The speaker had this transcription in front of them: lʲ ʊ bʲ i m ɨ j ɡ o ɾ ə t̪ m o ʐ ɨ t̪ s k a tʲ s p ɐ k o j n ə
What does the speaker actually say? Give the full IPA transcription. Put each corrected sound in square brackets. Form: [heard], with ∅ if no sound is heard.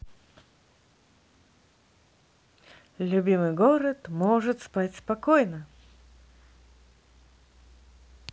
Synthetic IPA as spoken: lʲ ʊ bʲ i m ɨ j ɡ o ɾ ə t̪ m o ʐ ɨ t̪ s [p] a tʲ s p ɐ k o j n ə

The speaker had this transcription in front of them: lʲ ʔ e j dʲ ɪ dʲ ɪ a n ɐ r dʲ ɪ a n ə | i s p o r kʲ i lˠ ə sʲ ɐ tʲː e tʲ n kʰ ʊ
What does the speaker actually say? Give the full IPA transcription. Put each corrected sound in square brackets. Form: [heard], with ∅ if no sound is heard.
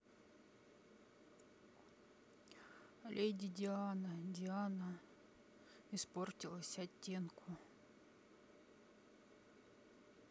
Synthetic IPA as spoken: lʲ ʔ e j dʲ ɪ dʲ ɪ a n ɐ [∅] dʲ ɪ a n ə | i s p o r [tʲ] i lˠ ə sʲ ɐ tʲː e [∅] n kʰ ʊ

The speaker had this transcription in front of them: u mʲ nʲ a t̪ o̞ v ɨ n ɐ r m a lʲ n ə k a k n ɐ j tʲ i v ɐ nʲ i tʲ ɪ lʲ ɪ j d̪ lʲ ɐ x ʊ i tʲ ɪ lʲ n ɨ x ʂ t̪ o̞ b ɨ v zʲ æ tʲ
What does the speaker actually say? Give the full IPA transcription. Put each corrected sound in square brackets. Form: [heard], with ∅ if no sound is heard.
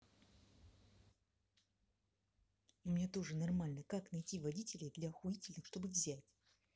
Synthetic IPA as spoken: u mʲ nʲ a t̪ o̞ [ʐ] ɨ n ɐ r m a lʲ n ə k a k n ɐ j tʲ i v ɐ [dʲ] i tʲ ɪ lʲ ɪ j d̪ lʲ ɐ x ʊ i tʲ ɪ lʲ n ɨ x ʂ t̪ o̞ b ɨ v zʲ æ tʲ

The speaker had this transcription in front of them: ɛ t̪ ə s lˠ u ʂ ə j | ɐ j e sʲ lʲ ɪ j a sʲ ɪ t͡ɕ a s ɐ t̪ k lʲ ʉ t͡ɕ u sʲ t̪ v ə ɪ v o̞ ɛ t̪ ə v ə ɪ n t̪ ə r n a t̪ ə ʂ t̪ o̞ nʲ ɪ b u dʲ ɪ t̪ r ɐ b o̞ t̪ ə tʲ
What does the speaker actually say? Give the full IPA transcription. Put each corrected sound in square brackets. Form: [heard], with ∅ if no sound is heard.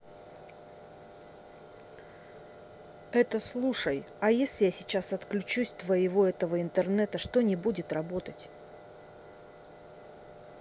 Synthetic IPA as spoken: ɛ t̪ ə s lˠ u ʂ ə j | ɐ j e sʲ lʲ ɪ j a sʲ ɪ t͡ɕ a s ɐ t̪ k lʲ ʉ t͡ɕ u sʲ t̪ v ə ɪ v o̞ ɛ t̪ ə v ə ɪ n t̪ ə r n [ɛ] t̪ ə ʂ t̪ o̞ nʲ ɪ b u dʲ ɪ t̪ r ɐ b o̞ t̪ ə tʲ

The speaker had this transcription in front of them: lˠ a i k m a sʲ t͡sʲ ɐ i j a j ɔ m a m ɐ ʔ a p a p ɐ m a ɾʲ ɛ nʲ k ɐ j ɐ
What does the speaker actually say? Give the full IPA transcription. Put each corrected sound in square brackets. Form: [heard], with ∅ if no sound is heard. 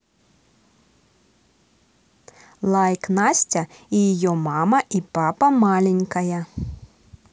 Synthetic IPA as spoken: lˠ a [j] k [n] a sʲ t͡sʲ ɐ i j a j ɔ m a m ɐ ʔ [i] p a p ɐ m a [lʲ] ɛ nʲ k ɐ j ɐ

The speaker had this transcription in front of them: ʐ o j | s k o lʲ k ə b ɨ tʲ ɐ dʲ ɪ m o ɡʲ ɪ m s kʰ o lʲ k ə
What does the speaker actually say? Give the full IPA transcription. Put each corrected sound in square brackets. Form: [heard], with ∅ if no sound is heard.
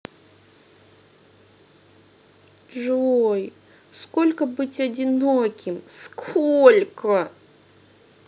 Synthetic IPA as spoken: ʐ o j | s k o lʲ k ə b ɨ tʲ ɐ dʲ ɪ [n] o [kʲ] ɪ m s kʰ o lʲ k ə

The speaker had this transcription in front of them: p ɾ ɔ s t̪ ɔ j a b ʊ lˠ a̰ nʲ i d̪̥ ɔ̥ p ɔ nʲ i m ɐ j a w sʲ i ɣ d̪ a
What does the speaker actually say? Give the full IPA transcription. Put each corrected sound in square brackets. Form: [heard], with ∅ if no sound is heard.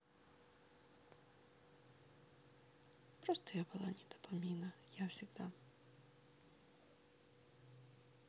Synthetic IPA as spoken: p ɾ ɔ s t̪ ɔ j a b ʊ lˠ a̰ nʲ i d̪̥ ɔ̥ p ɔ [mʲ] i [n] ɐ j a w sʲ i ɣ d̪ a

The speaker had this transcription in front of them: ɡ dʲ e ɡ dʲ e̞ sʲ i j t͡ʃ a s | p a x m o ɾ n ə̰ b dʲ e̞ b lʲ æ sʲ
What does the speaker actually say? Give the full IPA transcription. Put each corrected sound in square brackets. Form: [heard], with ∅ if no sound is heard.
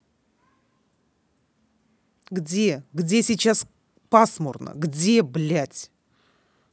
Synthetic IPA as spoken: ɡ dʲ e ɡ dʲ e̞ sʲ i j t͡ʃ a s | p a [s] m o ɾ n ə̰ [ɡ] dʲ e̞ b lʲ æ [tʲ]

